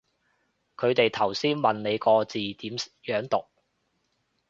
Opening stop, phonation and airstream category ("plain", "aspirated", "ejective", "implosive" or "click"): aspirated